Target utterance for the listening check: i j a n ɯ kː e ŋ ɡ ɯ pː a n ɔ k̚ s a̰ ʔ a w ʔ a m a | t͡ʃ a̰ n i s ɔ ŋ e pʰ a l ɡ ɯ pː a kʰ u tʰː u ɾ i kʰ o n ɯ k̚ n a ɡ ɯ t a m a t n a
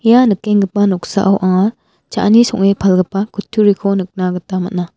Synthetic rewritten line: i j a n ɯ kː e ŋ ɡ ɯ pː a n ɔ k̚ s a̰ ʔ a w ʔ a ŋ a | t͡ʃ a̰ n i s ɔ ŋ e pʰ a l ɡ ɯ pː a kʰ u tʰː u ɾ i kʰ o n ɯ k̚ n a ɡ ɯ t a m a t n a